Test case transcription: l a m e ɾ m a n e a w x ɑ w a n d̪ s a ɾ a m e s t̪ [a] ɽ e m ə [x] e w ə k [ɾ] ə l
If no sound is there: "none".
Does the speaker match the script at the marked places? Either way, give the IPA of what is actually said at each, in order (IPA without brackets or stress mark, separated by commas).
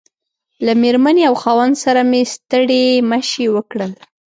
ə, ʃ, ɽ